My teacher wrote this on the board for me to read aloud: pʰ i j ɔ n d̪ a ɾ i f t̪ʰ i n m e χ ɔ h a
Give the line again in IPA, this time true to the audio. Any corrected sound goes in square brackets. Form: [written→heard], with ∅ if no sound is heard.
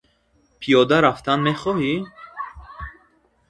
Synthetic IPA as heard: pʰ i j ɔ [n→∅] d̪ a ɾ [i→a] f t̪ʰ [i→a] n m e χ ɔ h [a→i]